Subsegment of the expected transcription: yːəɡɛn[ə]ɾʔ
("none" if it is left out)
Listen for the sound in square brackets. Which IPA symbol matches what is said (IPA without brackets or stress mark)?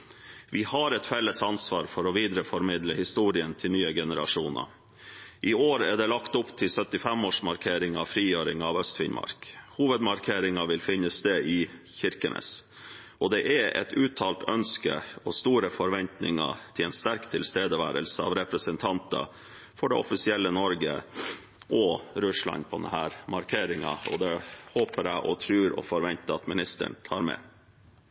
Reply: ə